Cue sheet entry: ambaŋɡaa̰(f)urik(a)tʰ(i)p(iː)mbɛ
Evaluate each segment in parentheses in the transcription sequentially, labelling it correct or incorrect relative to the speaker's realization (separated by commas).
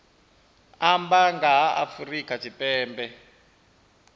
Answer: correct, correct, correct, incorrect